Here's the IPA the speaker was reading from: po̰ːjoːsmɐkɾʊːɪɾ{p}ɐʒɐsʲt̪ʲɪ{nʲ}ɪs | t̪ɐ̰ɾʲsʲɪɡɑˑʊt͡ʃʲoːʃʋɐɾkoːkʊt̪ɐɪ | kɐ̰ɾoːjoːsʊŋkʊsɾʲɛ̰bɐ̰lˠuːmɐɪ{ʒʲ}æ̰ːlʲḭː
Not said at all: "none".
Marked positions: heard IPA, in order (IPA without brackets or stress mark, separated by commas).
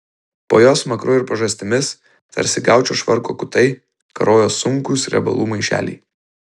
p, mʲ, ʃʲ